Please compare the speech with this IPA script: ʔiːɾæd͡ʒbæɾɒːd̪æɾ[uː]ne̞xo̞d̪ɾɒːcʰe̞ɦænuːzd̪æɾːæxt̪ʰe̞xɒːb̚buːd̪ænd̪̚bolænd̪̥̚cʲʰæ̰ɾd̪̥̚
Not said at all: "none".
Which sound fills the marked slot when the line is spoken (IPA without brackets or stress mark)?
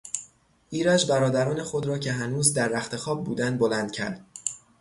ɒː